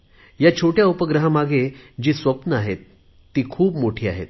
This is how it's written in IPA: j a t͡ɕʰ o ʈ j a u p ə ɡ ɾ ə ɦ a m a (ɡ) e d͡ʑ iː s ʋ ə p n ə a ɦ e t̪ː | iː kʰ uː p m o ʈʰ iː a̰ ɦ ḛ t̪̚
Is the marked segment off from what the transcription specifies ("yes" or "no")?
no